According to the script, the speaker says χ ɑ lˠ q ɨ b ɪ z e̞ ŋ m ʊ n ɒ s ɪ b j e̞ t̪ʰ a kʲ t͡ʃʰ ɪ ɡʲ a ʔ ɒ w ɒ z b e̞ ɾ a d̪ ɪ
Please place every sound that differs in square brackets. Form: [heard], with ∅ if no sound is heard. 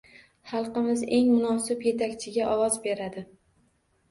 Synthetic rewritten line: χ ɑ lˠ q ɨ [m] ɪ z e̞ ŋ m ʊ n ɒ s ɪ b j e̞ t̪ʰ a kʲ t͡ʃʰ ɪ ɡʲ a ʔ ɒ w ɒ z b e̞ ɾ a d̪ ɪ